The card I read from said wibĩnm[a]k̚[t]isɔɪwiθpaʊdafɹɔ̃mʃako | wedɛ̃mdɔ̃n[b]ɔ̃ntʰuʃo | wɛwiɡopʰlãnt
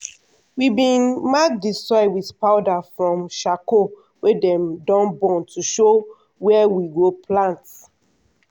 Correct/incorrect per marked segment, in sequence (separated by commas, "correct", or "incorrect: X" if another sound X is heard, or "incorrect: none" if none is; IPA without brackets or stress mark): correct, incorrect: d, correct